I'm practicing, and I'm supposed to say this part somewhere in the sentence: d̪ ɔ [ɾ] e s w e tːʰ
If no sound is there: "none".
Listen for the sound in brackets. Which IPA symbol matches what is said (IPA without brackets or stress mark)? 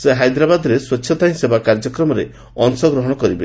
ɾ